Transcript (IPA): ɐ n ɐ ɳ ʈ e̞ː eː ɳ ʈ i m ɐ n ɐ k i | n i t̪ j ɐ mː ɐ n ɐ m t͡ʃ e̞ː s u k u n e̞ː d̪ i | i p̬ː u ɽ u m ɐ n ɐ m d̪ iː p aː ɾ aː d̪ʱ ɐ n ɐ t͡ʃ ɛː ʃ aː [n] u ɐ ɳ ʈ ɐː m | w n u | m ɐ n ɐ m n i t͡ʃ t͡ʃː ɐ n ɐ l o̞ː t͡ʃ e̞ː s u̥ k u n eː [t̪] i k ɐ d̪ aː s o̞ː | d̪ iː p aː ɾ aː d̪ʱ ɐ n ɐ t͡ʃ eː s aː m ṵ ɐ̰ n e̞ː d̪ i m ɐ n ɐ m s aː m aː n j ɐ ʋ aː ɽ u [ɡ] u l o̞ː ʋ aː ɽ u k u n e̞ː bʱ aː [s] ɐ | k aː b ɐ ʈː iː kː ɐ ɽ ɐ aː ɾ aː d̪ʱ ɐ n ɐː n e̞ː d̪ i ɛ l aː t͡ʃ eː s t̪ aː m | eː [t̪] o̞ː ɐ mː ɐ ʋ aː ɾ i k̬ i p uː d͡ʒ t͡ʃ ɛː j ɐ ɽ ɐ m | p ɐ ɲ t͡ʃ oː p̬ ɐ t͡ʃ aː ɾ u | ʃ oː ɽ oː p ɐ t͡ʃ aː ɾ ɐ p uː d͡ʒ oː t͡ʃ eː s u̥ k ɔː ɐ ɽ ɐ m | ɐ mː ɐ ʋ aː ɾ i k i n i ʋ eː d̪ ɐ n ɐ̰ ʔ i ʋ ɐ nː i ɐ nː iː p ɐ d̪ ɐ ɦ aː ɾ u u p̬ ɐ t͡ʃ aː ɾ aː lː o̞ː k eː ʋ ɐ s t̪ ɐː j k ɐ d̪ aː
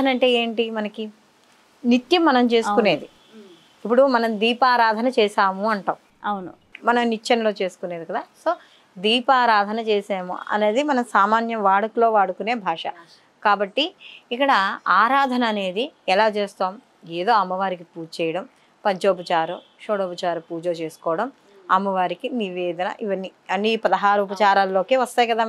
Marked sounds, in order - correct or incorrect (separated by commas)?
incorrect, incorrect, incorrect, incorrect, incorrect